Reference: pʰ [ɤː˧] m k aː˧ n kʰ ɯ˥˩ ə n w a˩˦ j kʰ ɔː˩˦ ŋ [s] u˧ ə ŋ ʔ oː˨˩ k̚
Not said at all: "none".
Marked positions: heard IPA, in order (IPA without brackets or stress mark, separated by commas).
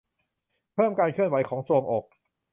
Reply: ɤː˥˩, s